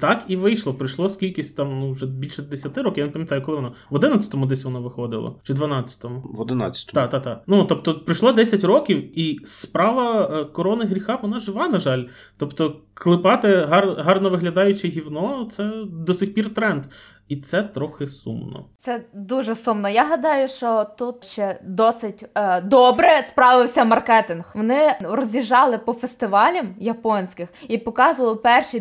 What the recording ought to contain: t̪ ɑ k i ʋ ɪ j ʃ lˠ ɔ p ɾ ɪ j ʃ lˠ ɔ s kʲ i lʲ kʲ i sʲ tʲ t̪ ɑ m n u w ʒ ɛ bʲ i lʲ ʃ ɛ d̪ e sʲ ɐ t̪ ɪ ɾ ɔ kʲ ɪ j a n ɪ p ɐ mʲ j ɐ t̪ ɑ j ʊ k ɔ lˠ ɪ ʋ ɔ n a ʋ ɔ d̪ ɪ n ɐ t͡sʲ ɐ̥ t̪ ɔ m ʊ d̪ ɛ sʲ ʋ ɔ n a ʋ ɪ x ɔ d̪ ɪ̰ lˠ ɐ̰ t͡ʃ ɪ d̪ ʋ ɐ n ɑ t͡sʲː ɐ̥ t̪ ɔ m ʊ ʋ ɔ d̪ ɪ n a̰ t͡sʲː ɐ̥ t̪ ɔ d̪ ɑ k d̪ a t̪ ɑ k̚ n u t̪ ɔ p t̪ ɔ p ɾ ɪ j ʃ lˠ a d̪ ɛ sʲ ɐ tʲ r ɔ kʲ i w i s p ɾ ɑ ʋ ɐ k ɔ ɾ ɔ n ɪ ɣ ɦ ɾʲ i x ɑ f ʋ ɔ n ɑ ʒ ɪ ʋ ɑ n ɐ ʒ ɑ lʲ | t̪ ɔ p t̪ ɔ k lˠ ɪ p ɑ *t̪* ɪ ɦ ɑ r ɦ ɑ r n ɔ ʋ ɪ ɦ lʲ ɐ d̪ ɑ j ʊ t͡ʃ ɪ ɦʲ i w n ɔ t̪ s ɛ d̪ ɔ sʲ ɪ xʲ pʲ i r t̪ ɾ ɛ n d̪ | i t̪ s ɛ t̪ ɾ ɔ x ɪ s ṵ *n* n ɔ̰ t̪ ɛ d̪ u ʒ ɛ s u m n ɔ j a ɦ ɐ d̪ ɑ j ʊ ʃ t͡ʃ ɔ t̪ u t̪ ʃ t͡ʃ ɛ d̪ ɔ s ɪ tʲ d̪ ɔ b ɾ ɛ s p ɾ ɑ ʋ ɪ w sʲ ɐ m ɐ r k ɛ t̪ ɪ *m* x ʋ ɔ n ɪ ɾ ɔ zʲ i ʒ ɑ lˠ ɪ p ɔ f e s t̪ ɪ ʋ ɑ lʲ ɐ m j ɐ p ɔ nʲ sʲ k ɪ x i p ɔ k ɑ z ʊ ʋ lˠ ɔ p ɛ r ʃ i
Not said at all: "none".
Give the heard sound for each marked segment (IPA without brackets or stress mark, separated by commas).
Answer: t̪, m, n